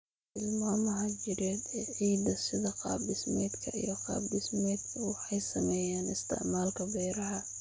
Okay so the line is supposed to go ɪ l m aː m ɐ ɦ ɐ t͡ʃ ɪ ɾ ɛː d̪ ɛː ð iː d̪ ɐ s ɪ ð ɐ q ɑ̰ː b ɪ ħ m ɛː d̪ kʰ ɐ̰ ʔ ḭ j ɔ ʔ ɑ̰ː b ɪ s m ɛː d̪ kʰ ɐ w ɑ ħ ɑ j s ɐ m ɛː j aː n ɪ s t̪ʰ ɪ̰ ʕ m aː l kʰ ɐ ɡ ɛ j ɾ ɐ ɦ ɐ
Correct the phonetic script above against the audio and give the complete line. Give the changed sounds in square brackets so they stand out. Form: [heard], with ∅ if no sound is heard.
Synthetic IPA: ɪ l m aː m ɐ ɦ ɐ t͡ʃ ɪ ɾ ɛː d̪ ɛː [ʕ] iː d̪ ɐ s ɪ ð ɐ q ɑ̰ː b ɪ [s] m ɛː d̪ kʰ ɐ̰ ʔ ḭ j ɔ [q] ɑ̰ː b ɪ s m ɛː d̪ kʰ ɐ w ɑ ħ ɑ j s ɐ m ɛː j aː n ɪ s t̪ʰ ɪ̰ ʕ m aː l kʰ ɐ [b] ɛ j ɾ ɐ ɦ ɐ